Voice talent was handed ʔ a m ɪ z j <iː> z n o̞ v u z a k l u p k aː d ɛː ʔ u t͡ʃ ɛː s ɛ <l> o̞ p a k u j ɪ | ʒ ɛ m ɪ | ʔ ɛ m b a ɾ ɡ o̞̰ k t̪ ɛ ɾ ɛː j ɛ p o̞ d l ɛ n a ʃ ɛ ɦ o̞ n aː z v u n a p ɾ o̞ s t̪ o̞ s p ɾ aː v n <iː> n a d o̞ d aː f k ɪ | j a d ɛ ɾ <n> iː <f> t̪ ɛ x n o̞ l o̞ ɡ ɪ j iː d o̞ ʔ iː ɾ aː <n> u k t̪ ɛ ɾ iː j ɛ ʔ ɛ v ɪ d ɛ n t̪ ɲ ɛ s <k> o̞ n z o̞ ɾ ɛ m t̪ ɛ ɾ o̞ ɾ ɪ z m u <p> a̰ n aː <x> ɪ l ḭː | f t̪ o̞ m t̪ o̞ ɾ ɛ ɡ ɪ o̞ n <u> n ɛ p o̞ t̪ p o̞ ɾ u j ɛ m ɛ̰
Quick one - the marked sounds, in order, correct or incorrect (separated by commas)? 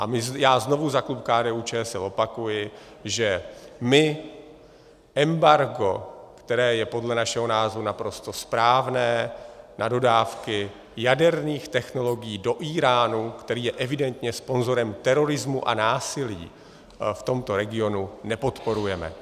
incorrect, correct, incorrect, correct, incorrect, correct, incorrect, incorrect, incorrect, correct